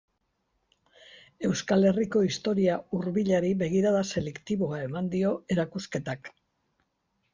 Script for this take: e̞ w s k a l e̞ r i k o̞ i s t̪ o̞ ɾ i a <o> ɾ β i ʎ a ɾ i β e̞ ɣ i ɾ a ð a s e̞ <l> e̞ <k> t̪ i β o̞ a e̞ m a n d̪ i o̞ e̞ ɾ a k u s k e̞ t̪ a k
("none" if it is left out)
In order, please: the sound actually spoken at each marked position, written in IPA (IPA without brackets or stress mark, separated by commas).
u, l, k